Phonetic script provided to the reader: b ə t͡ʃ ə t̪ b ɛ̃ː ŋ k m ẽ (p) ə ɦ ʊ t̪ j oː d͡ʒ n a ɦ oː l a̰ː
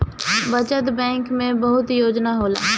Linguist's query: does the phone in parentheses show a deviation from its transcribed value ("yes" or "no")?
yes